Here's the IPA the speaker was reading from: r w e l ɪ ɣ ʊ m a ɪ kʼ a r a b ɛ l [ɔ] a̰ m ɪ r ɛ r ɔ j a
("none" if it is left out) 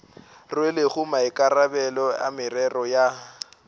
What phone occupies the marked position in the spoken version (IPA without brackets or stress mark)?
ɔ